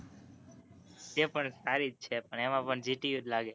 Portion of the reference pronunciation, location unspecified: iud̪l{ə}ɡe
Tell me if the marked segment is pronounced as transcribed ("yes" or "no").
no